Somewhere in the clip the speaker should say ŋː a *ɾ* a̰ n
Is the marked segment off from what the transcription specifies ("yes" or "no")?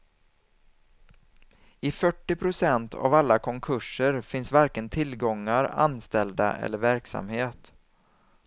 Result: no